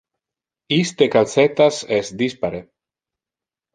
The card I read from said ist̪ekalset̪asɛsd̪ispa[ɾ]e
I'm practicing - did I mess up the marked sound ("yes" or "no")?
no